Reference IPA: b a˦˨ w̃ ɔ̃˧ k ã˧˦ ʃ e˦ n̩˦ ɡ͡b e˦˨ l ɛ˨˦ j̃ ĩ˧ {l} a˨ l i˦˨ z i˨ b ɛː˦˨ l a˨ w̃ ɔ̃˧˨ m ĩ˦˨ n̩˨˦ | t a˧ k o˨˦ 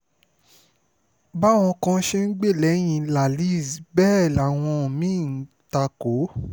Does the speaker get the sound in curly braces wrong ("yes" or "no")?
no